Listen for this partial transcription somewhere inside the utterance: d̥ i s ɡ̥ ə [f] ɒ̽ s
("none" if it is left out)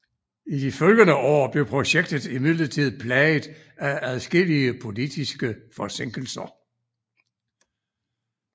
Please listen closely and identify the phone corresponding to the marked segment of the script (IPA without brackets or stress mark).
f